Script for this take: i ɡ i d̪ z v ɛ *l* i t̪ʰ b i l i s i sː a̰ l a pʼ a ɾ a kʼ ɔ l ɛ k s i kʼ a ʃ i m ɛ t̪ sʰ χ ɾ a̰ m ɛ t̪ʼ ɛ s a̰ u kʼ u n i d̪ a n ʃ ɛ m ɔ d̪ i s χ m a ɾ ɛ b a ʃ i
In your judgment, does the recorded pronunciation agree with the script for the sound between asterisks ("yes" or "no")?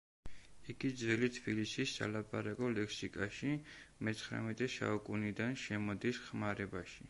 yes